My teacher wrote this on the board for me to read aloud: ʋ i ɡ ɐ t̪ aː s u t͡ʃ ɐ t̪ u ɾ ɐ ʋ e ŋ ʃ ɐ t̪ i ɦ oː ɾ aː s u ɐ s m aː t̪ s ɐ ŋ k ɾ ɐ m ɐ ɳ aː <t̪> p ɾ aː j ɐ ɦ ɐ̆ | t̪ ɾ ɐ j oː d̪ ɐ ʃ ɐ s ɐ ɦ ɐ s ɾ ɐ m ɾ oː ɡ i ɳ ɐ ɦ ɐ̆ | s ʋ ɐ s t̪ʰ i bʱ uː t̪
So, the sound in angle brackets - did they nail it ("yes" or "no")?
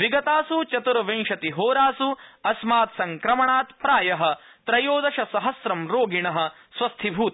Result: yes